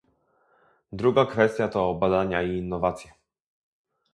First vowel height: high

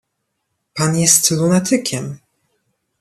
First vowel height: low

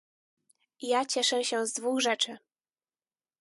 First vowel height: low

